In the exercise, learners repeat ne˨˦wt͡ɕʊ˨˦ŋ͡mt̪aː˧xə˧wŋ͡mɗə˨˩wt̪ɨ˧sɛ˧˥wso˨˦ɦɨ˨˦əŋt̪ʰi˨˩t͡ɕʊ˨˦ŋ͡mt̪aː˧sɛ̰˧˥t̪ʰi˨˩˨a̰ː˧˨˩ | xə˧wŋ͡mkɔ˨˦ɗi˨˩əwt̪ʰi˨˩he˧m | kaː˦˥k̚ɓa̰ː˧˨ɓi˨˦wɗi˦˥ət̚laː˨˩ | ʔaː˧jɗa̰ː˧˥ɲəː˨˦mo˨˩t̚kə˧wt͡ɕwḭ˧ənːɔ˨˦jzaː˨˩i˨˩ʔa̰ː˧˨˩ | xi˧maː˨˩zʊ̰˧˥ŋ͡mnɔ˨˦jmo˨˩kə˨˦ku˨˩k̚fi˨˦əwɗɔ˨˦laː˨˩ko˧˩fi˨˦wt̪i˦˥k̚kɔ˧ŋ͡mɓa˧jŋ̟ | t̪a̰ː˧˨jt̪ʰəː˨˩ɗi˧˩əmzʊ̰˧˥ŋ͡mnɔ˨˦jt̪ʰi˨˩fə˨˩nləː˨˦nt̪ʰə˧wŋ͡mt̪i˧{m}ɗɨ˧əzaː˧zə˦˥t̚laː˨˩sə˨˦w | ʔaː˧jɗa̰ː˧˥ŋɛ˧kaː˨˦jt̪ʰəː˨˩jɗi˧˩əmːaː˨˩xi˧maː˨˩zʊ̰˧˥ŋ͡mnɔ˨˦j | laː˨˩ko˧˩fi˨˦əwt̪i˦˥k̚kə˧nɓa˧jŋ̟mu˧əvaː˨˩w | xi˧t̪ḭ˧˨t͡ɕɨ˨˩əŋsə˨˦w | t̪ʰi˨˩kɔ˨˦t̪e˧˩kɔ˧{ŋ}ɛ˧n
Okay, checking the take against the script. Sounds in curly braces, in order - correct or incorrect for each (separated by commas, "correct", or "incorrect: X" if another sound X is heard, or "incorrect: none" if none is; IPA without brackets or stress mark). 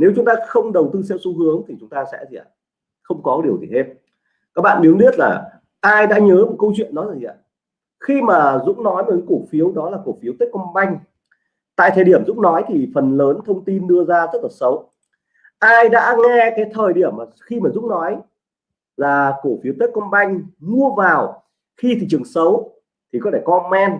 incorrect: n, incorrect: m